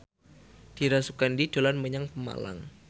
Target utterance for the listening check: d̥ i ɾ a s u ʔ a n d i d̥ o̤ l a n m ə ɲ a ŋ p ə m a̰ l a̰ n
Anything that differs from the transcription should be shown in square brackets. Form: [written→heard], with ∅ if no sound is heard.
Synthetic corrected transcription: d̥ i ɾ a s u [ʔ→k] a n d i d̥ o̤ l a n m ə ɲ a ŋ p ə m a̰ l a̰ [n→ŋ]